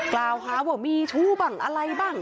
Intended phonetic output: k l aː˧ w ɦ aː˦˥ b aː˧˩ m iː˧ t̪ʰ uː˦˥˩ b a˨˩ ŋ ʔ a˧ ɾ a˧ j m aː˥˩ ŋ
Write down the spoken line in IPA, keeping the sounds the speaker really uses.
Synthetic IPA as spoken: k l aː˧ w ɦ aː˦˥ w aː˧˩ m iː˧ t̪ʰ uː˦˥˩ b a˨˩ ŋ ʔ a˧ ɾ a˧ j b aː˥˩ ŋ